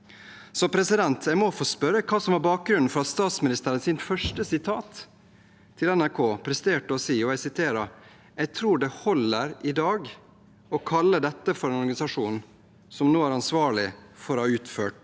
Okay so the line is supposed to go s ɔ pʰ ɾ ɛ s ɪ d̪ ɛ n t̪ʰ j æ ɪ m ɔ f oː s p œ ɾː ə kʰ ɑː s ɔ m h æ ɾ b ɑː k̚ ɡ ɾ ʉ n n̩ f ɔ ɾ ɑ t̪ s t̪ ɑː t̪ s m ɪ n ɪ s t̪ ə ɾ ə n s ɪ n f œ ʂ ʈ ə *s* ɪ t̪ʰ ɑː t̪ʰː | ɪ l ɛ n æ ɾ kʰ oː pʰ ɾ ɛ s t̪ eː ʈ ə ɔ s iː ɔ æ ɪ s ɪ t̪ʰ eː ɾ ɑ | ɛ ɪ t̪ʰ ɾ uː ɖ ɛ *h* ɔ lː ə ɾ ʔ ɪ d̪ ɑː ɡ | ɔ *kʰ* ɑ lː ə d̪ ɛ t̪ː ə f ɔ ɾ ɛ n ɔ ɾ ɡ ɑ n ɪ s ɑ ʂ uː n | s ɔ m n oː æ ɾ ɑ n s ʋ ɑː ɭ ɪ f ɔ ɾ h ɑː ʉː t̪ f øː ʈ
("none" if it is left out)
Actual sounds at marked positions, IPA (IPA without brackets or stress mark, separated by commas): s, h, kʰ